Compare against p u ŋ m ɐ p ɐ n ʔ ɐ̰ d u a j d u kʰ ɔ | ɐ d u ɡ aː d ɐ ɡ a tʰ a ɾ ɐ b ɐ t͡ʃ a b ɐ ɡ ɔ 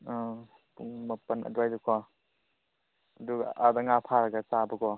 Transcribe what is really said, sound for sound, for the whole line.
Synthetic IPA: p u ŋ m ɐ p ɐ n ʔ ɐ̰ d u a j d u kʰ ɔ | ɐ d u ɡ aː d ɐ ŋ a pʰ a ɾ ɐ ɡ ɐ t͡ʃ a b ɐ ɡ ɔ